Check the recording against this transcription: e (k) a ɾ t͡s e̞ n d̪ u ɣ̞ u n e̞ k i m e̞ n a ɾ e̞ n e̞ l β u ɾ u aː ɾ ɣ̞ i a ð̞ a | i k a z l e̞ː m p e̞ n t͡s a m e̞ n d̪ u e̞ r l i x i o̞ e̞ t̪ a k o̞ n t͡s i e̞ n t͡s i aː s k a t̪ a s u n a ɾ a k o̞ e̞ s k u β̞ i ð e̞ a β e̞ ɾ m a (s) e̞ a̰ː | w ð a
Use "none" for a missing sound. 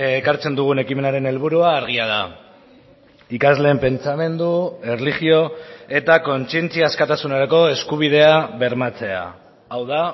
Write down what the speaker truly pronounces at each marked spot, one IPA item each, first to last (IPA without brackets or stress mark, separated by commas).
k, t͡s